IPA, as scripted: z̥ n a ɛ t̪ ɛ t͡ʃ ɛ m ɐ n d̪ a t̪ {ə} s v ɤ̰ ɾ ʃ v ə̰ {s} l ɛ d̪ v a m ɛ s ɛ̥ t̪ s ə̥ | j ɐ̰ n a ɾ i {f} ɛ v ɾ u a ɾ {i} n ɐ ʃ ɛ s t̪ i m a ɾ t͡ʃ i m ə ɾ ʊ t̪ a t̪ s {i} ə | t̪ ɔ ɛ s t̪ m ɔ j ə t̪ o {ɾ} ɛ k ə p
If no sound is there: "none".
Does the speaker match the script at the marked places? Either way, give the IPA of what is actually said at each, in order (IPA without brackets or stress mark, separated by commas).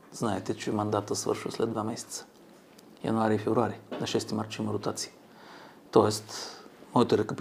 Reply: ə, s, f, i, i, ɾ